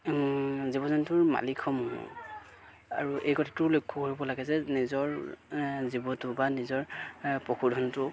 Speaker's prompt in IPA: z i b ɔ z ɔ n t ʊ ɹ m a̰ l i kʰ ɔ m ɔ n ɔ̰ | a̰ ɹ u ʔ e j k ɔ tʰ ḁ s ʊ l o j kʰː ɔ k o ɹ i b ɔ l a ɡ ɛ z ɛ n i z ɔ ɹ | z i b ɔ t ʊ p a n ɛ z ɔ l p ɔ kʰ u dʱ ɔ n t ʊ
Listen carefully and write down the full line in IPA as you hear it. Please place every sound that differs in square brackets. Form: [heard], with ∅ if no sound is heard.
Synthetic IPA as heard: z i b ɔ z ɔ n t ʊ ɹ m a̰ l i kʰ ɔ m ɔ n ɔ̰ | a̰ ɹ u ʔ e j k ɔ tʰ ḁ [t] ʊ l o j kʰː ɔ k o ɹ i b ɔ l a ɡ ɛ z ɛ n i z ɔ ɹ | z i b ɔ t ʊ [b] a n [i] z ɔ [ɹ] p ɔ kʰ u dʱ ɔ n t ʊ